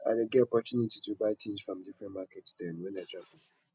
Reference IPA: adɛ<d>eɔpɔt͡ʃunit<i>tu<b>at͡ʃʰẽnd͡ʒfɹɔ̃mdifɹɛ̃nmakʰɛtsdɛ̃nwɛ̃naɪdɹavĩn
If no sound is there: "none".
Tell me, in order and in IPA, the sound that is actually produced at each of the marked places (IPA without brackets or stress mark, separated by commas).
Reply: ɡ, i, b